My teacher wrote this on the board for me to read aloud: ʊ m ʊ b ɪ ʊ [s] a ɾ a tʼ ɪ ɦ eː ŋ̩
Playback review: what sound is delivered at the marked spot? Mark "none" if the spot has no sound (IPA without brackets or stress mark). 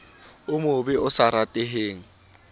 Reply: s